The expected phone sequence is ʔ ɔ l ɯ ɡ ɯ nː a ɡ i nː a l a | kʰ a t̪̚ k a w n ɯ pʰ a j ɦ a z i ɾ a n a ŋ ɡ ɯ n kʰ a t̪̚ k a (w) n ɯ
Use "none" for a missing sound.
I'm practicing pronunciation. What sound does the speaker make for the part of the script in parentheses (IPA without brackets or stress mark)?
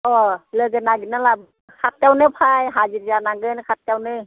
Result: w